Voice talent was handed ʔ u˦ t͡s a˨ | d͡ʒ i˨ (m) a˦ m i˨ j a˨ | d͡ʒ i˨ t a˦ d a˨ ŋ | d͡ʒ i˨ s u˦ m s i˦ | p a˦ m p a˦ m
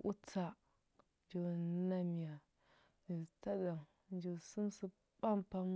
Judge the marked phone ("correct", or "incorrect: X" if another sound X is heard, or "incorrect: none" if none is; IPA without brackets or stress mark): incorrect: n